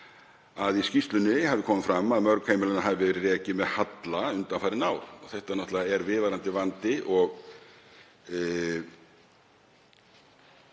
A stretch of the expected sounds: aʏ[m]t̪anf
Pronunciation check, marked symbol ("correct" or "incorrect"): incorrect